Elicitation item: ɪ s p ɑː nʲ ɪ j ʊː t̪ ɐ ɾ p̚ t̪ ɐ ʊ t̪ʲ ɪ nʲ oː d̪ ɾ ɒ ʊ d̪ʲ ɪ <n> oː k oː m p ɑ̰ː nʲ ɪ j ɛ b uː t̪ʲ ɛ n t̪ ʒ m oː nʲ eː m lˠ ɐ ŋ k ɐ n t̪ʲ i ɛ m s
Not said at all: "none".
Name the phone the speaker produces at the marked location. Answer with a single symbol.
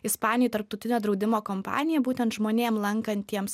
m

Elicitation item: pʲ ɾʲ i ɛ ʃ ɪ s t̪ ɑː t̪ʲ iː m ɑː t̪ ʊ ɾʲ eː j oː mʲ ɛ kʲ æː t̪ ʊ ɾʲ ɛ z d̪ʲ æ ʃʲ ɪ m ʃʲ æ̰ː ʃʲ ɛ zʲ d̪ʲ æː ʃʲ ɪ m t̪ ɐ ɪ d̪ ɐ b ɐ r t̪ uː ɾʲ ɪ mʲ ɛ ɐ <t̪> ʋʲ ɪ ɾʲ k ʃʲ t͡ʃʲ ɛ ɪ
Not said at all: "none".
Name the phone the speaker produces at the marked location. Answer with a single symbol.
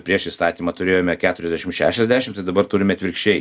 t̪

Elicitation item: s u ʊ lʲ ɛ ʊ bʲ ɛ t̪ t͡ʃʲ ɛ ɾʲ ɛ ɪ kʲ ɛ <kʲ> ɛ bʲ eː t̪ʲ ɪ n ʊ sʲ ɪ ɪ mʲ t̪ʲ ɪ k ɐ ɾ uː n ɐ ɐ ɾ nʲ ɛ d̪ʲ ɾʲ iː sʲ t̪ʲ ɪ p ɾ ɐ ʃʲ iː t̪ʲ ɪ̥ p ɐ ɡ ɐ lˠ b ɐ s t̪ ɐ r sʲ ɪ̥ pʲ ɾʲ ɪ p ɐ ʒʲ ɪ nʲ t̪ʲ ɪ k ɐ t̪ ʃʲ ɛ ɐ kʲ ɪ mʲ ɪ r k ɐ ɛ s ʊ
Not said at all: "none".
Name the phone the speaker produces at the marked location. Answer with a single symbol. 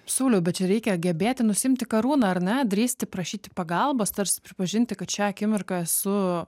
ɡʲ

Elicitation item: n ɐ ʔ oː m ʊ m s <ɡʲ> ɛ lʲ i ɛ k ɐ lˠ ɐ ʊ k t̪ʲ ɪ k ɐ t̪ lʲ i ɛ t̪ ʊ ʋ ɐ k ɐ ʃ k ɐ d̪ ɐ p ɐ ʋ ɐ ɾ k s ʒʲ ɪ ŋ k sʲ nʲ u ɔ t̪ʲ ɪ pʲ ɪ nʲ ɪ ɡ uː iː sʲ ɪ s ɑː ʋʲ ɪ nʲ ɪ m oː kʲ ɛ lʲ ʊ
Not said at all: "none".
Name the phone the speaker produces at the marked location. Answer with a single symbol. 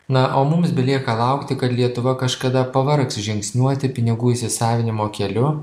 bʲ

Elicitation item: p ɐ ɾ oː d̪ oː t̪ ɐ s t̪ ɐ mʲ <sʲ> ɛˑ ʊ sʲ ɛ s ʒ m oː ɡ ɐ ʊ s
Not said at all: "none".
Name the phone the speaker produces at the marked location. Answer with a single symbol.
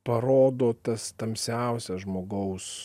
sʲ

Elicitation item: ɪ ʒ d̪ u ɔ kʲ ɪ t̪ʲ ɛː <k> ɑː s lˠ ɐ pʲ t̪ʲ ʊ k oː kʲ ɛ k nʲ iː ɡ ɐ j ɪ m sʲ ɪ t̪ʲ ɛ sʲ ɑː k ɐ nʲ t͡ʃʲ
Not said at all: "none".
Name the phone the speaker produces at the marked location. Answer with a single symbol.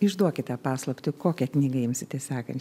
p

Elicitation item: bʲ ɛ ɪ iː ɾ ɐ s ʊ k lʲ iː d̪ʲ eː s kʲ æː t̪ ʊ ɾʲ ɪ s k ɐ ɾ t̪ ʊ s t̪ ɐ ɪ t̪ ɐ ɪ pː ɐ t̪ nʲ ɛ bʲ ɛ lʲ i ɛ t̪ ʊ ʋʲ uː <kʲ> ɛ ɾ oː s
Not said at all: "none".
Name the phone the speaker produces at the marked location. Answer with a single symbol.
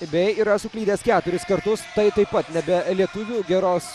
ɡʲ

